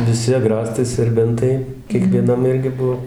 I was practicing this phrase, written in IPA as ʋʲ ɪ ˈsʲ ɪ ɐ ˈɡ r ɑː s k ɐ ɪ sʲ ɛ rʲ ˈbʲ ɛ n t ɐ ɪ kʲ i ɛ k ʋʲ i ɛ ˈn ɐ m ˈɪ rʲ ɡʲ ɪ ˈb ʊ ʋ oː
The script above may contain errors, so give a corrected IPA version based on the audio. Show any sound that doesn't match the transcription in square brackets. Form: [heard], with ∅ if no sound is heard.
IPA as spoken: ʋʲ ɪ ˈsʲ ɪ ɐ ˈɡ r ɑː s [t] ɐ ɪ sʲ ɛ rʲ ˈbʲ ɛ n t ɐ ɪ kʲ i ɛ k ʋʲ i ɛ ˈn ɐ m ˈɪ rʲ ɡʲ ɪ ˈb ʊ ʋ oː